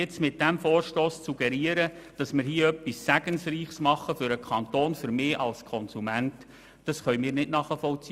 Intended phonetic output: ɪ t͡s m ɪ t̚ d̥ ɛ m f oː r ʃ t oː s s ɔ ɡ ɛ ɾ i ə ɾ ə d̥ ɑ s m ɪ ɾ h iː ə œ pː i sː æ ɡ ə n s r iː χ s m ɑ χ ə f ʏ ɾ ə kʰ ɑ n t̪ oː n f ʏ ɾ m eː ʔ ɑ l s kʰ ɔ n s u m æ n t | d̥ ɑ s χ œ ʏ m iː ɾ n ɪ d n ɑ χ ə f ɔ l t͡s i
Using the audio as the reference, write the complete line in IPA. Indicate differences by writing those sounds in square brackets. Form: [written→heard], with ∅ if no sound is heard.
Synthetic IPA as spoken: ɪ t͡s m ɪ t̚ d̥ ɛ m f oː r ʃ t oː s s [ɔ→u] ɡ ɛ ɾ i ə ɾ ə d̥ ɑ s m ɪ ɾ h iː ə œ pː i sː æ ɡ ə n s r iː χ s m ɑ χ ə f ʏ ɾ ə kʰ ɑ n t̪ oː n f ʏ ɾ m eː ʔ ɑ l s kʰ ɔ n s u m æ n t | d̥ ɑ s χ œ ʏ m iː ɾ n ɪ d n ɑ χ ə f ɔ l t͡s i